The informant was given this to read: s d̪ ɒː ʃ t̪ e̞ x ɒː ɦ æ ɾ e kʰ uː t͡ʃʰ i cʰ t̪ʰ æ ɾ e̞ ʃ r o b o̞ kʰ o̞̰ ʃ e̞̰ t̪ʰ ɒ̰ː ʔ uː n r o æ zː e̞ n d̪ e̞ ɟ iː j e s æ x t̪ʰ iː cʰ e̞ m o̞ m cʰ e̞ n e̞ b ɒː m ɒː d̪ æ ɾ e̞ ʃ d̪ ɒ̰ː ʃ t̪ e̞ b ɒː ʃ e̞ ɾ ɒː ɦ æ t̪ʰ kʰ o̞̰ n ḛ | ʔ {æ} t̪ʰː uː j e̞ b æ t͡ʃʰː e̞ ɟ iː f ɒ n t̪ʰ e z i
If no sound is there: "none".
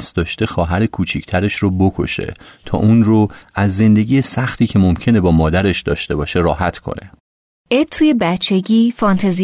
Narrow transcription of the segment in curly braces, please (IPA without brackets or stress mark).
e